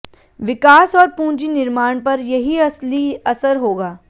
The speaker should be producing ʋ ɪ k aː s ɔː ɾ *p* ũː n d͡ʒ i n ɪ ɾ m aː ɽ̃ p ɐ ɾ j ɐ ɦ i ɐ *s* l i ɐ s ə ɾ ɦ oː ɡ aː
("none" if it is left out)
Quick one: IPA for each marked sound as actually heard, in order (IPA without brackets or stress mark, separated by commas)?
p, s